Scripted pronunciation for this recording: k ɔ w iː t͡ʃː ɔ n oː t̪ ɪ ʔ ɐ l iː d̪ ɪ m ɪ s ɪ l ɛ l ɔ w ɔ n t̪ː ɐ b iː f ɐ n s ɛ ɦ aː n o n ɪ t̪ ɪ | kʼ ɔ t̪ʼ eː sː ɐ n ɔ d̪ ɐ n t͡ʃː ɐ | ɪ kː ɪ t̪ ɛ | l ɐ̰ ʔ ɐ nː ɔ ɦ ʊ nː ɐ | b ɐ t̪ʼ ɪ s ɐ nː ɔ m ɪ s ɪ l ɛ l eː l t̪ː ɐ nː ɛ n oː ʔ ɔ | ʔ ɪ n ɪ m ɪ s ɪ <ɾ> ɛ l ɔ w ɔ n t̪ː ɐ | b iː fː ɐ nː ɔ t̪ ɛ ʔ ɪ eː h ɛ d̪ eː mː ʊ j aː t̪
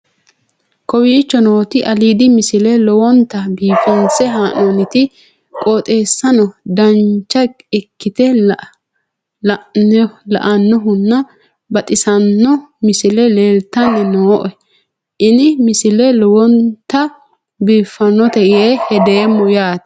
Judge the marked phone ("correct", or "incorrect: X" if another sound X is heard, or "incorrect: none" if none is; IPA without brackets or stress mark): incorrect: l